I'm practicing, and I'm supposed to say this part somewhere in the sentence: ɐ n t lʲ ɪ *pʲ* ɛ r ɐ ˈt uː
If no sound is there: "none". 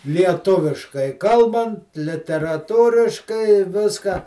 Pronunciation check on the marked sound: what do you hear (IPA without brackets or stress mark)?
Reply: tʲ